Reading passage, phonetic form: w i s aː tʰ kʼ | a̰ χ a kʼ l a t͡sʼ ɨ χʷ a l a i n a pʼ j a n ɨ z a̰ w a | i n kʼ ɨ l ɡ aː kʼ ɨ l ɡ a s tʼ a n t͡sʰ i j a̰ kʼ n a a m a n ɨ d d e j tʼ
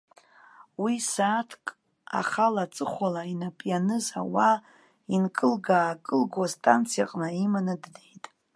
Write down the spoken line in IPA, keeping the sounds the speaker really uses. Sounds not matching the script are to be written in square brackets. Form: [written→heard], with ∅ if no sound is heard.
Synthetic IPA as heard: w i s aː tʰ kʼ | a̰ χ a [kʼ→∅] l a t͡sʼ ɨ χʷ a l a i n a pʼ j a n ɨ z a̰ w a | i n kʼ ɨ l ɡ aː kʼ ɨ l ɡ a s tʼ a n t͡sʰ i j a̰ [kʼ→qʼ] n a [a→i] m a n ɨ d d e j tʼ